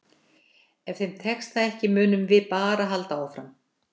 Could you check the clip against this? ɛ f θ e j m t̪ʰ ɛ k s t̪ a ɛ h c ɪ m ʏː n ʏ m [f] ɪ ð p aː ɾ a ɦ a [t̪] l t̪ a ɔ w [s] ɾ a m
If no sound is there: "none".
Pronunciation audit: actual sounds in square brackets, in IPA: v, none, f

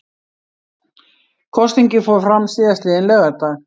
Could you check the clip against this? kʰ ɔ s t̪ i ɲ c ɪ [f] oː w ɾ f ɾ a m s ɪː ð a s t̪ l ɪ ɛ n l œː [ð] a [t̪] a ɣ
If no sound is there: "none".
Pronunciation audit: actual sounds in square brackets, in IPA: f, ɣ, t̪

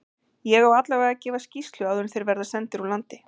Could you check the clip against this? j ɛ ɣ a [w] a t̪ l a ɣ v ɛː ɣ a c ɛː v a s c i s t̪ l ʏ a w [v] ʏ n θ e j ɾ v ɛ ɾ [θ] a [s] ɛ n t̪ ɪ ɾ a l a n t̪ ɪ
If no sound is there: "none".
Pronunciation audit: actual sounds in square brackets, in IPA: w, ð, ð, s

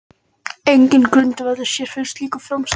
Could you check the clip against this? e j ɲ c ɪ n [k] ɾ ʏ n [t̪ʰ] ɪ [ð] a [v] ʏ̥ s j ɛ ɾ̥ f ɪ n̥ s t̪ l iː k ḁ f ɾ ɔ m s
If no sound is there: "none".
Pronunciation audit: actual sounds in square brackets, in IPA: k, t̪, v, ð

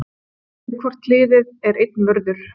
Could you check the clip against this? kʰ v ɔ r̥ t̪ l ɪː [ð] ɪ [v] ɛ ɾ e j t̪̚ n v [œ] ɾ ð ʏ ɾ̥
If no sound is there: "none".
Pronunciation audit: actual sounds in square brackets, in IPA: ð, ð, œ

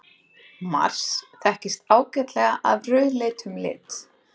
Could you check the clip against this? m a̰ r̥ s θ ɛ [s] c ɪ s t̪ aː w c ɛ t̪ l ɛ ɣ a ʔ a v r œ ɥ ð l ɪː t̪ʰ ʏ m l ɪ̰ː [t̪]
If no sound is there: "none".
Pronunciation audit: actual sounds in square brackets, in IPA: h, t̪

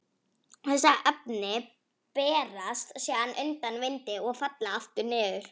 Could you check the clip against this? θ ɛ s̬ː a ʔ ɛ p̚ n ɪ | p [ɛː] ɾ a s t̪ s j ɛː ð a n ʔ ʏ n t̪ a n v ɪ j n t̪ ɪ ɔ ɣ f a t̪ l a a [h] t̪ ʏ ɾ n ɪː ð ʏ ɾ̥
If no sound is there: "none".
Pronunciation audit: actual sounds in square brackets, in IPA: ɛː, f

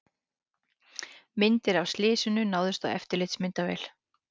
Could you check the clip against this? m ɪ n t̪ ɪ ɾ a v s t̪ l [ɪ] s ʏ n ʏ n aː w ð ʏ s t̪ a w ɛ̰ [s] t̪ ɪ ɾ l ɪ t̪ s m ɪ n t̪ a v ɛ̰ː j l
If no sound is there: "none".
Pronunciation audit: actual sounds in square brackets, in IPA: ɪː, f

